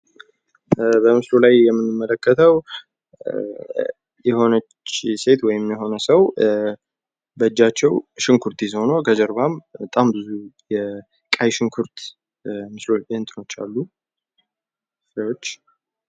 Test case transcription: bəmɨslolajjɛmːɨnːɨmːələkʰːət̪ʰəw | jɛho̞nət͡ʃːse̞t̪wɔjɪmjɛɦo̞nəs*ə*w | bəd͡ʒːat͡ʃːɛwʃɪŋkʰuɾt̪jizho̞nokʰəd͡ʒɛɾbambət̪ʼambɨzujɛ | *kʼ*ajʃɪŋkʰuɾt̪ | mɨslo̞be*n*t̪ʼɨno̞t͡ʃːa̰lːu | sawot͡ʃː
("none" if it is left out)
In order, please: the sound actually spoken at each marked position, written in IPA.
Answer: ə, kʼ, n

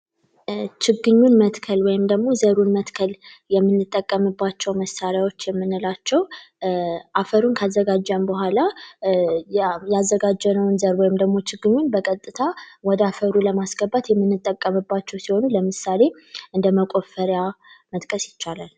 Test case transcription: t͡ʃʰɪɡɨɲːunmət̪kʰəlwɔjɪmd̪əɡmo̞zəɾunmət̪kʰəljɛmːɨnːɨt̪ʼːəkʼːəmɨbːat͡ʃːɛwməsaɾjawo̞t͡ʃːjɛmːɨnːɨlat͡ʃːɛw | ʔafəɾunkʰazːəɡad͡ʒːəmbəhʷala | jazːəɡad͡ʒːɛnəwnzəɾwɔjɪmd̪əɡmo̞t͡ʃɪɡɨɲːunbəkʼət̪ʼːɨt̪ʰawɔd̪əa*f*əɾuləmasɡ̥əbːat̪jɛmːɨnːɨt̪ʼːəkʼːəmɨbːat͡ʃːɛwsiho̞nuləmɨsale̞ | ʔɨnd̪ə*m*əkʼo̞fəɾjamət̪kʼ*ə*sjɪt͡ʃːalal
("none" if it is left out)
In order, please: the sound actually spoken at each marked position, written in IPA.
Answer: f, m, ə

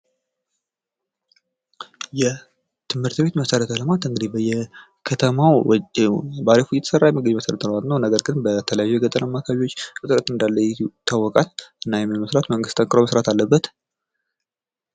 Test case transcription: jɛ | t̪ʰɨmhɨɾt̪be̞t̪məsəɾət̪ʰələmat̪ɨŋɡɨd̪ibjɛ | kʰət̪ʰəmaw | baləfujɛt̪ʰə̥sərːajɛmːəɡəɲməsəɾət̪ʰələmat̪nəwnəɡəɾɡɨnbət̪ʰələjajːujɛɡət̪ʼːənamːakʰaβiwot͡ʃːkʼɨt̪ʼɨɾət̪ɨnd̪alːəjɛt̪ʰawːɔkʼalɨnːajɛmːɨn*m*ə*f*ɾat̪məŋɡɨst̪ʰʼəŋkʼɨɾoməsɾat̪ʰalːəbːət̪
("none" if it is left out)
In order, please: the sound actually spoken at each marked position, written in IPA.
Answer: m, s

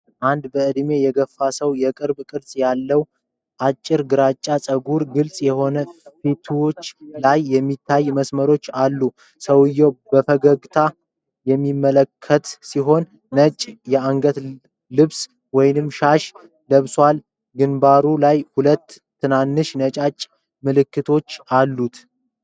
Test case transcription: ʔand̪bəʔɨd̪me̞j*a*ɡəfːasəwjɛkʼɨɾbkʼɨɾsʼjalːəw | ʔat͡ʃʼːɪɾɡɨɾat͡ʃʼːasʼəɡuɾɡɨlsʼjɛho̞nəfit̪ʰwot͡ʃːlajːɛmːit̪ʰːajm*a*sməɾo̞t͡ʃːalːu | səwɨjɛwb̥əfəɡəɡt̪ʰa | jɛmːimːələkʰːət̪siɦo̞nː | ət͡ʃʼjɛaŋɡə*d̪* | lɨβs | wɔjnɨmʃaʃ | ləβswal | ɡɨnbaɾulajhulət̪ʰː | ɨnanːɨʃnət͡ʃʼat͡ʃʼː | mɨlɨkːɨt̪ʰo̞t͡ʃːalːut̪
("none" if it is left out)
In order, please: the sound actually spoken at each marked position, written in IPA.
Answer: ɛ, ə, t̪

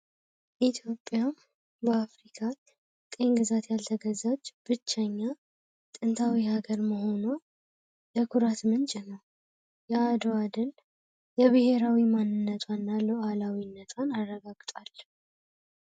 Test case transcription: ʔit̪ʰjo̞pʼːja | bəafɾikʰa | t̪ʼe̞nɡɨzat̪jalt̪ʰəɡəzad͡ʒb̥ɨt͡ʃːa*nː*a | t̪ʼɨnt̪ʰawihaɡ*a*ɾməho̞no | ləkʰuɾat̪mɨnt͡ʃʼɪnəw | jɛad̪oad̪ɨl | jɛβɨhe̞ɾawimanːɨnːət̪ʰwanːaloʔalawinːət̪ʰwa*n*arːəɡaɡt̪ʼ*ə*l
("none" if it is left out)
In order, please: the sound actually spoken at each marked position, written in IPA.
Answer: ɲː, ə, n, a

